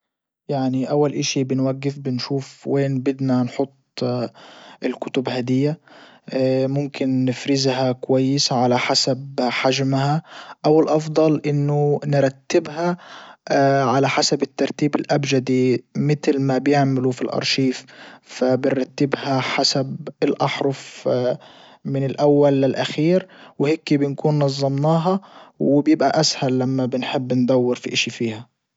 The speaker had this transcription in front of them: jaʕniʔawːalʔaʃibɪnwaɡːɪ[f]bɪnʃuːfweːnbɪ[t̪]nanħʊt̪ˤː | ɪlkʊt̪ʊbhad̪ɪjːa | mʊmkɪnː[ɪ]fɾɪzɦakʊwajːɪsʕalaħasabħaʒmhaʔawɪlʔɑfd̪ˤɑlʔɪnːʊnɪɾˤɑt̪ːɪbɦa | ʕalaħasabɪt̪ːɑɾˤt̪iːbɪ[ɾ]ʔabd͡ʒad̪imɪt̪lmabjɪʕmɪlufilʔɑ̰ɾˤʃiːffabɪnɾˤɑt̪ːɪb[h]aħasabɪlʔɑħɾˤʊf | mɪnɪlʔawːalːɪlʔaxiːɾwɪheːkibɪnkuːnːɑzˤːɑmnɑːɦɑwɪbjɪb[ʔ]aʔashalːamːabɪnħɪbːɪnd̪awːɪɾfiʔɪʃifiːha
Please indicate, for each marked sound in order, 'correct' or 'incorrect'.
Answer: correct, incorrect, correct, incorrect, correct, correct

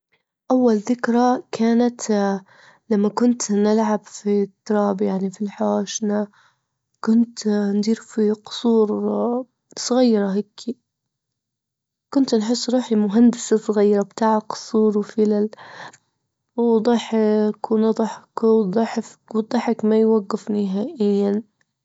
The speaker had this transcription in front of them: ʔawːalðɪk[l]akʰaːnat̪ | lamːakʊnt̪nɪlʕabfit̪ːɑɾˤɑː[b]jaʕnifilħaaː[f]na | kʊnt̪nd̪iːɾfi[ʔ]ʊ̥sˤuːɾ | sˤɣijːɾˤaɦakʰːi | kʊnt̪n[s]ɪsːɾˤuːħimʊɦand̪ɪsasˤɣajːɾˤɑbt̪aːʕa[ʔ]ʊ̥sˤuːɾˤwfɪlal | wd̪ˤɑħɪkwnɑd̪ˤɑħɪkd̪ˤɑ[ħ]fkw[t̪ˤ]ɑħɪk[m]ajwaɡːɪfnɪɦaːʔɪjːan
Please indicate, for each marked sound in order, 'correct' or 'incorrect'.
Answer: incorrect, correct, incorrect, incorrect, incorrect, incorrect, correct, incorrect, correct

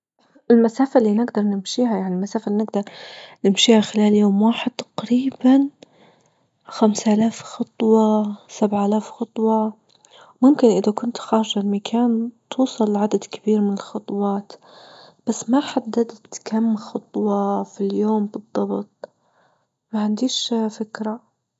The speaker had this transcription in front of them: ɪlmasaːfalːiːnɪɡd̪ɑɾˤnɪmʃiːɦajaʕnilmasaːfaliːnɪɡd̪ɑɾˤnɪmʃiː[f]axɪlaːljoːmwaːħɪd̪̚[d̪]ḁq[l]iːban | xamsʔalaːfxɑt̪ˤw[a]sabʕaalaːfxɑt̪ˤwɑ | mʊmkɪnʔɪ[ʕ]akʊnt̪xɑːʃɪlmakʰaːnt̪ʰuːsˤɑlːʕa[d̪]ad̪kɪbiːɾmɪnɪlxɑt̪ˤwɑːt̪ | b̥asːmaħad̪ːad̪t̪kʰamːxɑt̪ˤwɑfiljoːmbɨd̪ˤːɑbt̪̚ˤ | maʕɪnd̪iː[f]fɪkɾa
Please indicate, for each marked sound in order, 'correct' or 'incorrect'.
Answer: incorrect, incorrect, incorrect, incorrect, incorrect, correct, incorrect

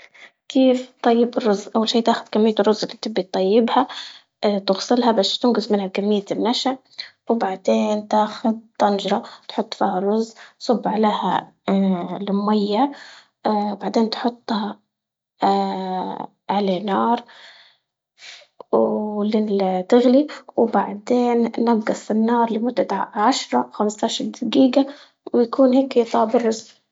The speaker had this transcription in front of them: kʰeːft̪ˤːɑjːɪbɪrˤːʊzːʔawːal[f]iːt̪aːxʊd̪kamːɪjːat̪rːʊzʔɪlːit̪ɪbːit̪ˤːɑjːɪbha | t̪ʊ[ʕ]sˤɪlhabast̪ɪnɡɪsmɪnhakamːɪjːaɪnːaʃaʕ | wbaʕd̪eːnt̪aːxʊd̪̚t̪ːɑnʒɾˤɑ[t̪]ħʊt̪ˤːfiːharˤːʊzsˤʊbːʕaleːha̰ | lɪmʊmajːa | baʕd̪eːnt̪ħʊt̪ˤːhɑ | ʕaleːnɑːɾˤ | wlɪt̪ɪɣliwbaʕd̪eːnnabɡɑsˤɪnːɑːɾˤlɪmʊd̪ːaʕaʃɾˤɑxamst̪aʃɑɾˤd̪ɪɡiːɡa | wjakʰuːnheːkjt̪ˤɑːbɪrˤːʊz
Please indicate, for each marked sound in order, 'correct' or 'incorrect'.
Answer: incorrect, incorrect, correct

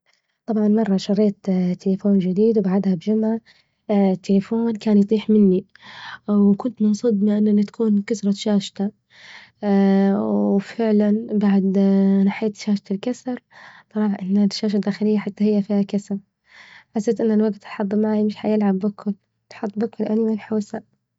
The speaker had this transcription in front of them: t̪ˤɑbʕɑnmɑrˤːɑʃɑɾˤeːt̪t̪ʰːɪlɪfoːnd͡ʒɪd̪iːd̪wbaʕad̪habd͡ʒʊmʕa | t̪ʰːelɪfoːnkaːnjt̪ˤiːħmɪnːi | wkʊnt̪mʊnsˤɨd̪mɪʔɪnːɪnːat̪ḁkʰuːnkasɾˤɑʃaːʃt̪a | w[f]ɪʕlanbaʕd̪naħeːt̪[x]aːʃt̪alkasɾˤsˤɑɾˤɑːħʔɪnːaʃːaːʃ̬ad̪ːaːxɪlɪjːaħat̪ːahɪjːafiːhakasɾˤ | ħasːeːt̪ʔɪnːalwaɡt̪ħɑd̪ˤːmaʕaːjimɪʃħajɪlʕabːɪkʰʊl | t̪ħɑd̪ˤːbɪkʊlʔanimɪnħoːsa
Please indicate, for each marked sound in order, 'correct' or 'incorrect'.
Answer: correct, incorrect

